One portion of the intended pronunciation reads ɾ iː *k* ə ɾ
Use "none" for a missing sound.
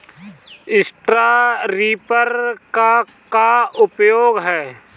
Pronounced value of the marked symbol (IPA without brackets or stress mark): p